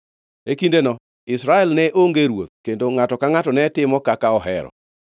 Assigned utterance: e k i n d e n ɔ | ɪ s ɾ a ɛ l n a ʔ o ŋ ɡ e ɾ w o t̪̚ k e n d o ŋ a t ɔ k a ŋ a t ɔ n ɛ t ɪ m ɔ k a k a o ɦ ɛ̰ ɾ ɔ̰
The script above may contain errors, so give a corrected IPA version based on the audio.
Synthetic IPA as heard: e k i n d e n ɔ | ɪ s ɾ a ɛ l n ɛ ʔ o ŋ ɡ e ɾ w o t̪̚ k e n d o ŋ a t ɔ k a ŋ a t ɔ n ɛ t ɪ m ɔ k a k a ɔ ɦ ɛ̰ ɾ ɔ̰